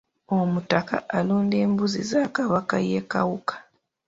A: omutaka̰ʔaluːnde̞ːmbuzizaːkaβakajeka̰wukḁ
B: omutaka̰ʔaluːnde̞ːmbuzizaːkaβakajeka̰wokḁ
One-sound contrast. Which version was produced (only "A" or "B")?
A